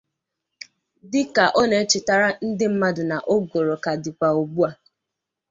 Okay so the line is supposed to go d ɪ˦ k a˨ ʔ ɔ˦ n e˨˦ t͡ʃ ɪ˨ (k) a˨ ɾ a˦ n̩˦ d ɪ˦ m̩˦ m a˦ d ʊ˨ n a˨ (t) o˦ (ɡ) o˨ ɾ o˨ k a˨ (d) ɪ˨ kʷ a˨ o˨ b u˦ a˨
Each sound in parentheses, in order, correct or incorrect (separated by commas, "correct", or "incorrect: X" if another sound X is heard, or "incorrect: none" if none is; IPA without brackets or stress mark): incorrect: t, incorrect: ʔ, correct, correct